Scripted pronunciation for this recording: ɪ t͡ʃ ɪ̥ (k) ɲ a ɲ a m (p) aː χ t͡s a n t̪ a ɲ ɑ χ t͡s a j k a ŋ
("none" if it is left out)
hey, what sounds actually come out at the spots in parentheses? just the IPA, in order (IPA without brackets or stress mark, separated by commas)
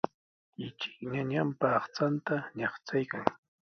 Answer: k, p